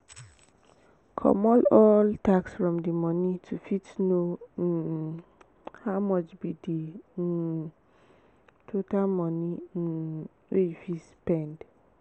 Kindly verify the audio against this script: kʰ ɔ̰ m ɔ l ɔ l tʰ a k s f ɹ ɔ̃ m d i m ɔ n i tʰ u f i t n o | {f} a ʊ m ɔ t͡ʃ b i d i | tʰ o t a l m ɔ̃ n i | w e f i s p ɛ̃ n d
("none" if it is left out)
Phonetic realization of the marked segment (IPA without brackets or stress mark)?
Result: h